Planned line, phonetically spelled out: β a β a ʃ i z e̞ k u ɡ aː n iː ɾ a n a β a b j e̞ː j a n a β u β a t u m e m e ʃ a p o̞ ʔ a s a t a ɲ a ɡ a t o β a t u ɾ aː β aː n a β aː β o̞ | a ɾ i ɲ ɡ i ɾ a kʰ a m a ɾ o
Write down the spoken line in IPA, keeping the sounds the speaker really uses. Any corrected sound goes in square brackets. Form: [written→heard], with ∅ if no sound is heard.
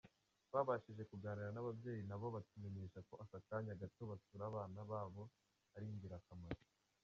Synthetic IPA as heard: β a β a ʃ i [z→ʒ] e̞ k u ɡ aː n [iː→i] ɾ a n a β a b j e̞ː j [a→i] n a β [u→o] β a t u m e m e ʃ a [p→k] o̞ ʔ a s a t a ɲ a ɡ a t o β a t u ɾ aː β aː n a β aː β o̞ | a ɾ i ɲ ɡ i ɾ a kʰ a m a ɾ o